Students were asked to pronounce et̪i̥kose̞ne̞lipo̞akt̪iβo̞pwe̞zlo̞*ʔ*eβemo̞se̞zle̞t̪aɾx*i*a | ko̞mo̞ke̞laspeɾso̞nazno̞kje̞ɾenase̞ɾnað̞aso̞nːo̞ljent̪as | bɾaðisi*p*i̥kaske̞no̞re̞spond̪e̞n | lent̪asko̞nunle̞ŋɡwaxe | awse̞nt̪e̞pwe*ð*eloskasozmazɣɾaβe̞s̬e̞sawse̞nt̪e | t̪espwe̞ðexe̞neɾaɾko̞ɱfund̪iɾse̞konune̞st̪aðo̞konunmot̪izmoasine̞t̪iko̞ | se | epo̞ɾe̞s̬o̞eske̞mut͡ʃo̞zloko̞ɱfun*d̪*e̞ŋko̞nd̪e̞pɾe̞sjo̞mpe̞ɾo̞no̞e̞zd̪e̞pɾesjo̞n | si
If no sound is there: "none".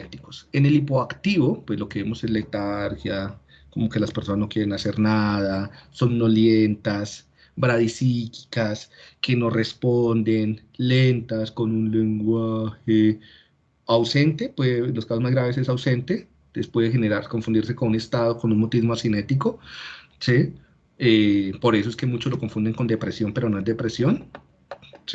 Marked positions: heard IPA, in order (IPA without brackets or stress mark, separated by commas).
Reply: k, j, k, ð, d̪